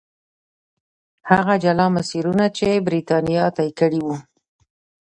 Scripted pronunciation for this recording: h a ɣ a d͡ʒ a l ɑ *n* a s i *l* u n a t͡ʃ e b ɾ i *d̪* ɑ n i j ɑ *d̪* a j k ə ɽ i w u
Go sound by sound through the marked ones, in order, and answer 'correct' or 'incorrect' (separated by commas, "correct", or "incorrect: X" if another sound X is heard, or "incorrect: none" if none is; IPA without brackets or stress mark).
incorrect: m, incorrect: ɾ, incorrect: t̪, incorrect: t̪